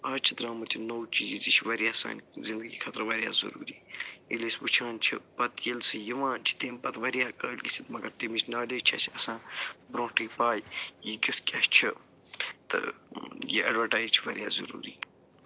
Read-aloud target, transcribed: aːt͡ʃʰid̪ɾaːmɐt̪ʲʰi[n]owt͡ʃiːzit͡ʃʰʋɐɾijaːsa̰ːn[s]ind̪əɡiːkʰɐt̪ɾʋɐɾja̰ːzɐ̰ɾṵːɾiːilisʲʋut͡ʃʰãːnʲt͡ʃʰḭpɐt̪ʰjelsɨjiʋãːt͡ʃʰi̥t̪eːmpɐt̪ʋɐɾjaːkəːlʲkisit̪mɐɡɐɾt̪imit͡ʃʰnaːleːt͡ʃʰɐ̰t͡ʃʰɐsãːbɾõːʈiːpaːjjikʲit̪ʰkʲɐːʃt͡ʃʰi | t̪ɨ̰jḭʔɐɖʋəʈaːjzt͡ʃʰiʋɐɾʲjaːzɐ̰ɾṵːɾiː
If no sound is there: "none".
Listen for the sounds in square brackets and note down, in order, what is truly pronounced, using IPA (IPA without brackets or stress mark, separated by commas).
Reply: n, z